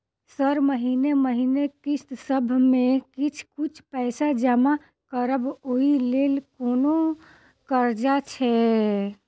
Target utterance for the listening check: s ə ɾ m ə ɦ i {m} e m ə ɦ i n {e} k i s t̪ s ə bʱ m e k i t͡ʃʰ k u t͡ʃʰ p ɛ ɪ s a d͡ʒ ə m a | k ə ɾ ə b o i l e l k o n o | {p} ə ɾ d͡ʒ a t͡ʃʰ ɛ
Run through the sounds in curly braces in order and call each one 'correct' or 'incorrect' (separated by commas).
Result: incorrect, correct, incorrect